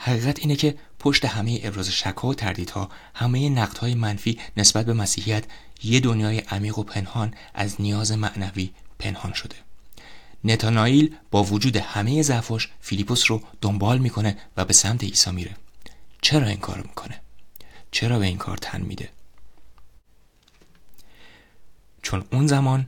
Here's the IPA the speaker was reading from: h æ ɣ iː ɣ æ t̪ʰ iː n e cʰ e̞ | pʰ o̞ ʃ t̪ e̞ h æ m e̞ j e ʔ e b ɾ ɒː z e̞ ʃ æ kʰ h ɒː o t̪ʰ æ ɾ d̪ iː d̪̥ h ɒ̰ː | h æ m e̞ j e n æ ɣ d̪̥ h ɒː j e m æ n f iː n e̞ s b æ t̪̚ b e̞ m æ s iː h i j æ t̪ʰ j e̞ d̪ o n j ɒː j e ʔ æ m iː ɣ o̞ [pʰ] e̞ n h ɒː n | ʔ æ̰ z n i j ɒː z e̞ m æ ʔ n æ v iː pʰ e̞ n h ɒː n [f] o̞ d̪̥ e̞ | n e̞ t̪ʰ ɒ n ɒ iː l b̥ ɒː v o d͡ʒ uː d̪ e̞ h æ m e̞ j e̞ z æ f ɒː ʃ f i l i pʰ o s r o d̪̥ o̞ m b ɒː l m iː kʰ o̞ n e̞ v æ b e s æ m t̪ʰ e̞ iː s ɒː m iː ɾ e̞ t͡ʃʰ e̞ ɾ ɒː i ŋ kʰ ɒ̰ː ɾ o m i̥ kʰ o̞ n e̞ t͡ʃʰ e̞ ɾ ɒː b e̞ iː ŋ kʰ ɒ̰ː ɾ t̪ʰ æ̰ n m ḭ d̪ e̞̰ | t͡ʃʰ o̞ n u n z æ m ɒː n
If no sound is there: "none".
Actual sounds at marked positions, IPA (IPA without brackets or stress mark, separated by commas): pʰ, ʃ